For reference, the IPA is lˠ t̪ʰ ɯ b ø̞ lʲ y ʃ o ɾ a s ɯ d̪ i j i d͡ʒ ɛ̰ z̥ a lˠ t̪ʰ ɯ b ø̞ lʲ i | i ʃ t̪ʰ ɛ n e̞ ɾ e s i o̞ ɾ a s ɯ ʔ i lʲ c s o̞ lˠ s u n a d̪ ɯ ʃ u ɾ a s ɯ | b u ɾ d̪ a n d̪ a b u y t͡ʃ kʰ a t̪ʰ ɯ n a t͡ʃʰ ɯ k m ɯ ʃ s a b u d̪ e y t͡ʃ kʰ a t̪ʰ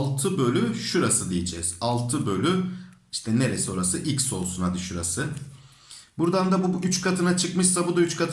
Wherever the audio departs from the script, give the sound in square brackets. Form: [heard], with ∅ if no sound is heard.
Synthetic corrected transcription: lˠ t̪ʰ ɯ b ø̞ lʲ y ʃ [u] ɾ a s ɯ d̪ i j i d͡ʒ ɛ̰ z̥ a lˠ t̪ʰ ɯ b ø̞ lʲ [y] | i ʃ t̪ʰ ɛ n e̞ ɾ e s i o̞ ɾ a s ɯ ʔ i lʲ c s o̞ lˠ s u n a d̪ ɯ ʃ u ɾ a s ɯ | b u ɾ d̪ a n d̪ a b u y t͡ʃ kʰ a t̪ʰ ɯ n a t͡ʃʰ ɯ k m ɯ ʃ s a b u d̪ [a] y t͡ʃ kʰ a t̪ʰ